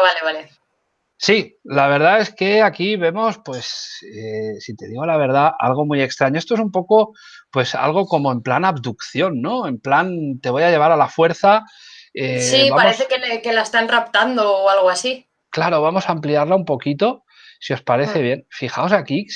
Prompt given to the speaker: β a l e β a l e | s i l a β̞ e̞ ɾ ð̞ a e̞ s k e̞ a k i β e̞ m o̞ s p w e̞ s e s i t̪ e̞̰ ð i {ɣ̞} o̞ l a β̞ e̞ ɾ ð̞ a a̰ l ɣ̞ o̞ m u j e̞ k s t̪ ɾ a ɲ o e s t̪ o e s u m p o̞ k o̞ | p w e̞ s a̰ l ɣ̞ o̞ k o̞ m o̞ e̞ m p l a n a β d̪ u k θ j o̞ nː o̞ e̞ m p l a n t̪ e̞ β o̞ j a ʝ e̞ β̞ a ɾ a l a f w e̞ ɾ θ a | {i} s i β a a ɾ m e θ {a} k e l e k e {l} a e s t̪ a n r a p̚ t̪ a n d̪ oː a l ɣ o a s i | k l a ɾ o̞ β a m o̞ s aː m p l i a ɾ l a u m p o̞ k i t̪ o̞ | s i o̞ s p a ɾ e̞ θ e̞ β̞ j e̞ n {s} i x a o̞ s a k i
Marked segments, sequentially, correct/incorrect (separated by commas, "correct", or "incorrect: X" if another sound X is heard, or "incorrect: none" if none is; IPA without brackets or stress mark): correct, incorrect: e, incorrect: e, correct, incorrect: f